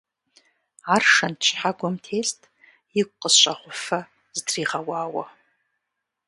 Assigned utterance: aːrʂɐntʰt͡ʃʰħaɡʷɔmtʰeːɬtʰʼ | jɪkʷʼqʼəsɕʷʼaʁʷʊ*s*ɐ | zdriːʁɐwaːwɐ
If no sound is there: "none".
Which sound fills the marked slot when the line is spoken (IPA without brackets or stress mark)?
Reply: f